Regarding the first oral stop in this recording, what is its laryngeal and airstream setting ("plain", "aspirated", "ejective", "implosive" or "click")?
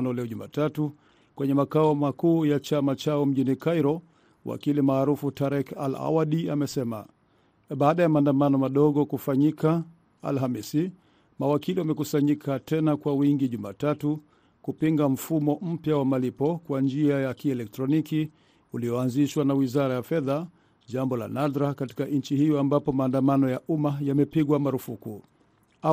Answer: implosive